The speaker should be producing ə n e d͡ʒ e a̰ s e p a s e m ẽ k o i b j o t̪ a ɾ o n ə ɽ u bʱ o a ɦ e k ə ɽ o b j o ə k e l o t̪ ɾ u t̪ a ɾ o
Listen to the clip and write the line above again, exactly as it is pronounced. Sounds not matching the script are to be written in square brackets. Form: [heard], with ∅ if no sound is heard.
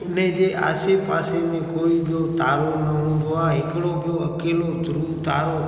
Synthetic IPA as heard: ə n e d͡ʒ e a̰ s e p a s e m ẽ k o i b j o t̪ a ɾ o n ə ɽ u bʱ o a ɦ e k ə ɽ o b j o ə k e l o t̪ ɾ u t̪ a ɾ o